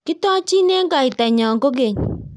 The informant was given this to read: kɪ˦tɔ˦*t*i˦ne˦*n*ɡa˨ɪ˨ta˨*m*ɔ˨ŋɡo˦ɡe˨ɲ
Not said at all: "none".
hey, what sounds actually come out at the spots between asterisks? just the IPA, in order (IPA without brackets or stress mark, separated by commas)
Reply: t͡ʃ, ŋ, ɲ